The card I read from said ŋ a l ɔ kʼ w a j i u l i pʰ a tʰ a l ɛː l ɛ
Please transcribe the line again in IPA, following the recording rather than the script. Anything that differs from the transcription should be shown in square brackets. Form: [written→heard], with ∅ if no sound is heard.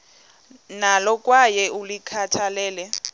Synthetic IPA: [ŋ→n] a l ɔ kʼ w a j [i→ɛ] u l i [pʰ→kʰ] a tʰ a l ɛː l ɛ